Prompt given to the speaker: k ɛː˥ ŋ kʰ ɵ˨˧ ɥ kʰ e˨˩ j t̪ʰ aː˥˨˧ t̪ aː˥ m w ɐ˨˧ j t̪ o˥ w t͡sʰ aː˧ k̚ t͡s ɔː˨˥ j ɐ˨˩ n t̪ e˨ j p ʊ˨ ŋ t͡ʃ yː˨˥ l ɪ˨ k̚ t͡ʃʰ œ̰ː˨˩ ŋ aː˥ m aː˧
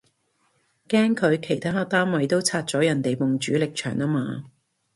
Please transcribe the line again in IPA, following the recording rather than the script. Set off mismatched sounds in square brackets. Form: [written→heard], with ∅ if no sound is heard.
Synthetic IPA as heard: k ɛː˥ ŋ kʰ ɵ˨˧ ɥ kʰ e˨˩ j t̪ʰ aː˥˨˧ t̪ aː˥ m w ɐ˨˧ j t̪ o˥ w t͡sʰ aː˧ [k̚→t̚] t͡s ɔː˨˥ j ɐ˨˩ n t̪ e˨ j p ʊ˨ ŋ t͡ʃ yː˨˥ l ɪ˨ k̚ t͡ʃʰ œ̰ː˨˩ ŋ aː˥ m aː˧